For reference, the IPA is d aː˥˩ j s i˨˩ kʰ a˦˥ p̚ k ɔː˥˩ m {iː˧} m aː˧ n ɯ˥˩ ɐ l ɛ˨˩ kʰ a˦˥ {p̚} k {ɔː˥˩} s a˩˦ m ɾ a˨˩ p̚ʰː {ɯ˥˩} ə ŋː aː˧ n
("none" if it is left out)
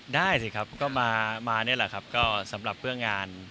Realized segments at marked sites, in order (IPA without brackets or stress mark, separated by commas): aː˧, p̚, ɔː˥˩, ɯ˥˩